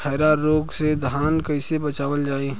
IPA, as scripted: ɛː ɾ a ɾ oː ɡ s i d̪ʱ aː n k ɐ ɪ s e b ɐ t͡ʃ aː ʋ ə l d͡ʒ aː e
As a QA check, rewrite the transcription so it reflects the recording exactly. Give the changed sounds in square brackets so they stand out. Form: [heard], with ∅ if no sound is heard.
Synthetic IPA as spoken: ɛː ɾ a ɾ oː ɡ s [e] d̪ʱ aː n k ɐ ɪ s e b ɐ t͡ʃ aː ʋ ə l d͡ʒ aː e

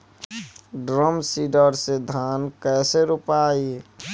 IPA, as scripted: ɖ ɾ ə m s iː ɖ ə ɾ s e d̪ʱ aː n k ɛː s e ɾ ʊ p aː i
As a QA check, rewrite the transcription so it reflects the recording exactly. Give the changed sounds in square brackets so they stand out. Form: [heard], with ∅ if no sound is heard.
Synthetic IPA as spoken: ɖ ɾ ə m s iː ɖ ə ɾ s e d̪ʱ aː n k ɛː s e ɾ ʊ p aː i

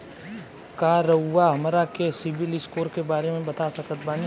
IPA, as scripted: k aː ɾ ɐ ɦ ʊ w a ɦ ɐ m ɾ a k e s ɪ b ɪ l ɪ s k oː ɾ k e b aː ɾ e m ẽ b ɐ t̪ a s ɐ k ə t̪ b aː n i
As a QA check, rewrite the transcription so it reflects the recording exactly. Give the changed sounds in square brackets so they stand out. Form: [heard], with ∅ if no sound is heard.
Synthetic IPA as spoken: k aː ɾ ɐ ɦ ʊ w a ɦ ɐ m ɾ a k e s ɪ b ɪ l ɪ s k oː ɾ k e b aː ɾ e m ẽ b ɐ t̪ a s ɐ k ə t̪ b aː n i

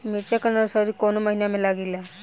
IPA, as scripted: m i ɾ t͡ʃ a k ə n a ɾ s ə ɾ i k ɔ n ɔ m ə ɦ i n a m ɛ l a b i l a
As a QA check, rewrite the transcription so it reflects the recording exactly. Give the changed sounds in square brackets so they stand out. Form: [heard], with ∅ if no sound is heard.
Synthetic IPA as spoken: m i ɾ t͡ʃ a k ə n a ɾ s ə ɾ i k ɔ n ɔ m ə ɦ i n a m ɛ l a [ɡ] i l a

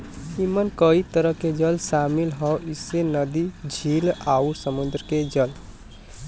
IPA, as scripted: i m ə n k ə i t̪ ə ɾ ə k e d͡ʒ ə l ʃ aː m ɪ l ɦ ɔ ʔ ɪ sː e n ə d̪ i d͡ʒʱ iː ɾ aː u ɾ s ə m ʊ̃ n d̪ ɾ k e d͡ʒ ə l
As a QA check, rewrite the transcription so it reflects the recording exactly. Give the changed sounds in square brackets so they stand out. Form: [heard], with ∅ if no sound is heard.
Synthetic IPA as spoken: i m ə n k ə i t̪ ə ɾ ə k e d͡ʒ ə l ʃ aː m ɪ l ɦ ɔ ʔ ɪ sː e n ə d̪ i d͡ʒʱ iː [l] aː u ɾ s ə m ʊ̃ n d̪ ɾ k e d͡ʒ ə l

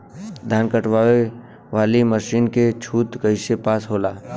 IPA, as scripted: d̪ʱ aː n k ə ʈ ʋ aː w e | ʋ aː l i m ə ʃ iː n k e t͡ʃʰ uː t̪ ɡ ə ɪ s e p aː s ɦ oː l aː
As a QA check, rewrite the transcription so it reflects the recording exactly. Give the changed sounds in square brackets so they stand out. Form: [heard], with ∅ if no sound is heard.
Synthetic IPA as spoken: d̪ʱ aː n k ə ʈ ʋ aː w e | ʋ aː l i m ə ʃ iː n k e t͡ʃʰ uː t̪ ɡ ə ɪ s e p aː s ɦ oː l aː

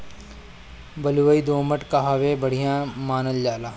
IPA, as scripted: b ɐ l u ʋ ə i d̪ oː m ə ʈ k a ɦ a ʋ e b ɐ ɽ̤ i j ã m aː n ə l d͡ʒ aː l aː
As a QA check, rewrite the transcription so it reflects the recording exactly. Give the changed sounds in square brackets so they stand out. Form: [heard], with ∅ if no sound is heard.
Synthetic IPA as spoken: b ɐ l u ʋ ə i d̪ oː m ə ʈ k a ɦ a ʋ e b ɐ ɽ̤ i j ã m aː n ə l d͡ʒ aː l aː

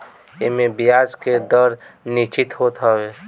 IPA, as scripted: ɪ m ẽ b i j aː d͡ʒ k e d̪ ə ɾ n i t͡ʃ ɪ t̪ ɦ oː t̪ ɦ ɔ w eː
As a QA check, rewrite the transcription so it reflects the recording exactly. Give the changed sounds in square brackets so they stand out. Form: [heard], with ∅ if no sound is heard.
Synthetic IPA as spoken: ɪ m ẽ b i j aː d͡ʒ k e d̪ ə ɾ n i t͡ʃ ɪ t̪ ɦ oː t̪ ɦ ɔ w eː

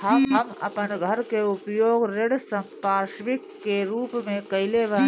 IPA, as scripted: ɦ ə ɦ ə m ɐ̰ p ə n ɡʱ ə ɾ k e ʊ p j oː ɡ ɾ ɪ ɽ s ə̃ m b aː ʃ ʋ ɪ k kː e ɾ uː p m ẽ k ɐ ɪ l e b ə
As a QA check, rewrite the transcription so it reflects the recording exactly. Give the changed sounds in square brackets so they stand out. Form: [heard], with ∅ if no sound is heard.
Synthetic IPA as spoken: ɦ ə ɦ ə m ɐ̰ p ə n ɡʱ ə ɾ k e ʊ p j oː ɡ ɾ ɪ ɽ s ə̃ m [p] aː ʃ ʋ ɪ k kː e ɾ uː p m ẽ k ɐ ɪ l e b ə

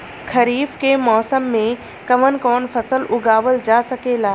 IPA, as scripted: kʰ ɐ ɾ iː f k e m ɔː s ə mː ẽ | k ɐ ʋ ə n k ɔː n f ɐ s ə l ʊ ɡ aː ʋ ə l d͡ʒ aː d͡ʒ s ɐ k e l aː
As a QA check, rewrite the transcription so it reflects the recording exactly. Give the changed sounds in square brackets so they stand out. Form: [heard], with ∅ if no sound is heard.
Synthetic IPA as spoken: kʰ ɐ ɾ iː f k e m ɔː s ə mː ẽ | k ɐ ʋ ə n k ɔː n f ɐ s ə l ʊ ɡ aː ʋ ə l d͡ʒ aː [∅] s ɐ k e l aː

